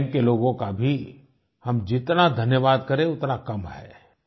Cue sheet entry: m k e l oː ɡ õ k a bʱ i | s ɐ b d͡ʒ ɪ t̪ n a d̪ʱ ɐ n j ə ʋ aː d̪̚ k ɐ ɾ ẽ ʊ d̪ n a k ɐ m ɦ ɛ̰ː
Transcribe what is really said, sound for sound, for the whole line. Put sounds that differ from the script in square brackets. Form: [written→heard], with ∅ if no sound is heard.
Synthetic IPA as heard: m k e l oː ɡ õ k a bʱ i | [s→h] ɐ [b→m] d͡ʒ ɪ t̪ n a d̪ʱ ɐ n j ə ʋ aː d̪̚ k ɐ ɾ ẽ ʊ [d̪→t̪] n a k ɐ m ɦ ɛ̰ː

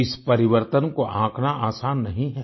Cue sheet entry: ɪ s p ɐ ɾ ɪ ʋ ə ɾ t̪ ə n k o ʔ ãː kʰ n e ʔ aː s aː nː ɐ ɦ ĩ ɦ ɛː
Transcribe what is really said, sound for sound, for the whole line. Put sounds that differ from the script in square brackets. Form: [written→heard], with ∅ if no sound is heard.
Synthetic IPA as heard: ɪ s p ɐ ɾ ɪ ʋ ə ɾ t̪ ə n k o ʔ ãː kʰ n [e→a] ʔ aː s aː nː ɐ ɦ ĩ ɦ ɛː

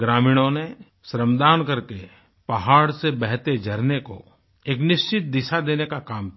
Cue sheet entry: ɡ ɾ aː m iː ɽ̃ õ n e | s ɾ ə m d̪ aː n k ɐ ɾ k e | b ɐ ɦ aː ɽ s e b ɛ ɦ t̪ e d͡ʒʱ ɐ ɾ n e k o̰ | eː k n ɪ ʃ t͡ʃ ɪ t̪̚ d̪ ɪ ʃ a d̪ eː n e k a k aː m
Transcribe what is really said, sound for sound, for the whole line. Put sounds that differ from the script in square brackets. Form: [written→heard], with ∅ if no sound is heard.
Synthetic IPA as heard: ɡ ɾ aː m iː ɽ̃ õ n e | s ɾ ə m d̪ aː n k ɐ ɾ k e | [b→p] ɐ ɦ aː ɽ s e b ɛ ɦ t̪ e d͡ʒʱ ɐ ɾ n e k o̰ | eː k n ɪ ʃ t͡ʃ ɪ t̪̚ d̪ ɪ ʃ a d̪ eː n e k a k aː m

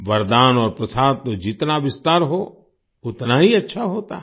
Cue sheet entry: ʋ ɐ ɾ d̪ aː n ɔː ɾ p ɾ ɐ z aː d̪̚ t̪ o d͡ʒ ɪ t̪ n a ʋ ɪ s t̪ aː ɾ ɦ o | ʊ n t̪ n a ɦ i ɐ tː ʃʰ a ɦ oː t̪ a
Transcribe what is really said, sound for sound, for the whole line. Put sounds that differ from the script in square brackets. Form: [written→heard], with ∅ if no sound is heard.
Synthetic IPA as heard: ʋ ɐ ɾ d̪ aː n ɔː ɾ p ɾ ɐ [z→s] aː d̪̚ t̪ o d͡ʒ ɪ t̪ n a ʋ ɪ s t̪ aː ɾ ɦ o | ʊ [n→∅] t̪ n a ɦ i ɐ tː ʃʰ a ɦ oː t̪ a

